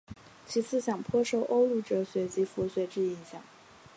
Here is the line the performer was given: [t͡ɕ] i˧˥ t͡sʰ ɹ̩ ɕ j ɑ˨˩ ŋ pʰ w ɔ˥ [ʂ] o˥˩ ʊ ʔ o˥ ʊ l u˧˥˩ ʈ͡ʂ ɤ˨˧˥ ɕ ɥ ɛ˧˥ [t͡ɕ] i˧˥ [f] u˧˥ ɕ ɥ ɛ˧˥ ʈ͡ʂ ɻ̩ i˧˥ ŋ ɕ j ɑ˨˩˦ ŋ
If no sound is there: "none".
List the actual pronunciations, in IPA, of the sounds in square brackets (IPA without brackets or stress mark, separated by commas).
t͡ɕʰ, ʂ, t͡ɕ, f